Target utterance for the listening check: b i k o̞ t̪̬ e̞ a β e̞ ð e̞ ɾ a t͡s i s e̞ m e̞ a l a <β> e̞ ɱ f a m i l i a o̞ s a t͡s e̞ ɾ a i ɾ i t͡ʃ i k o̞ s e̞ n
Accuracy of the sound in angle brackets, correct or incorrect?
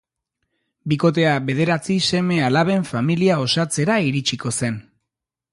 correct